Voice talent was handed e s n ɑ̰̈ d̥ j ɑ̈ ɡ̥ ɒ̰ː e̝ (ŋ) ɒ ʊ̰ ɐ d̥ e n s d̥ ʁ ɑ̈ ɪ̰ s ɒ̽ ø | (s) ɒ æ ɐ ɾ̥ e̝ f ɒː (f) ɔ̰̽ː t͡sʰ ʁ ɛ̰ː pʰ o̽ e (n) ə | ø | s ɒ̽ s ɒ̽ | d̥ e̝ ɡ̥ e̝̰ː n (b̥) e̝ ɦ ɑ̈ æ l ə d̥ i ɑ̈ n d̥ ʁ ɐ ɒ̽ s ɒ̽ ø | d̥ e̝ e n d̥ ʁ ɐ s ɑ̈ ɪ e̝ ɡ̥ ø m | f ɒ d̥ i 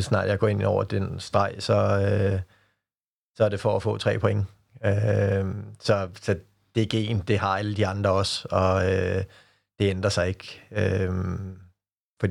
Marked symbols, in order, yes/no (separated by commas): no, yes, yes, no, no